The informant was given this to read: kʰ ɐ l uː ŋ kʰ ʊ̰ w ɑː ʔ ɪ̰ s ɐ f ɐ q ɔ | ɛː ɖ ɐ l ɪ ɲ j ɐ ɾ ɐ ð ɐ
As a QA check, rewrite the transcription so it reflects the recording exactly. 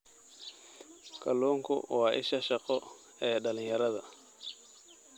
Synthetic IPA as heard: kʰ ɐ l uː ŋ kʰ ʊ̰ w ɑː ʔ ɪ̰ ʃ ɐ ʃ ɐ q ɔ | ɛː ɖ ɐ l ɪ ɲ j ɐ ɾ ɐ ð ɐ